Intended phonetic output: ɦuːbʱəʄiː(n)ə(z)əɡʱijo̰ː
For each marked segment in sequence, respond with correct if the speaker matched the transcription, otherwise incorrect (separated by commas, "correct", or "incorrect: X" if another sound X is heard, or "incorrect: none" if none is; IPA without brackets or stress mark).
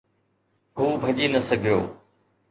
correct, incorrect: s